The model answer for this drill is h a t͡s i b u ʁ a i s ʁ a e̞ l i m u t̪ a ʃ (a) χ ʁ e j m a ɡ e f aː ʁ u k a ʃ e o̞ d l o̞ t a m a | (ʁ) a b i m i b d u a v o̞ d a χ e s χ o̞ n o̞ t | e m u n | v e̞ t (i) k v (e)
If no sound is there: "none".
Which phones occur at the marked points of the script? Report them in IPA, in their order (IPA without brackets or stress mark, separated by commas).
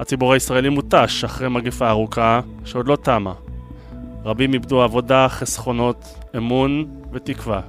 a, ʁ, i, a